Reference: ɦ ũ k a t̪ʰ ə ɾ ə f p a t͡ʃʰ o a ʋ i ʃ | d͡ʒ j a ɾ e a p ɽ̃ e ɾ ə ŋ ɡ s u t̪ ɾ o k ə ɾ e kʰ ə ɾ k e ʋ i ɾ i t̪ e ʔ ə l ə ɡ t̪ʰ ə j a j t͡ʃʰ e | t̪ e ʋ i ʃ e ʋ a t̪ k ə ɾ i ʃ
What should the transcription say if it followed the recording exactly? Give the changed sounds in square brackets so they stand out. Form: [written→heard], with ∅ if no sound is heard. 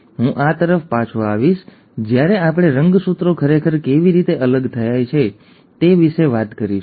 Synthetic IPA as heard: ɦ ũ [k→ʔ] a [t̪ʰ→t̪] ə ɾ ə f p a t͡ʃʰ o a ʋ i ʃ | d͡ʒ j a ɾ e a p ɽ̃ e ɾ ə ŋ ɡ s u t̪ ɾ o [k→kʰ] ə ɾ e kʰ ə ɾ k e ʋ i ɾ i t̪ e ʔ ə l ə ɡ t̪ʰ ə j a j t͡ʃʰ e | t̪ e ʋ i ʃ e ʋ a t̪ k ə ɾ i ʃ